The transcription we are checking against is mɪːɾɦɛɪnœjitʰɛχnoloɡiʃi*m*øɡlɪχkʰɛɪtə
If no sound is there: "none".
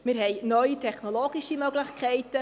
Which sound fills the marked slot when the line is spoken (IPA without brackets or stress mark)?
m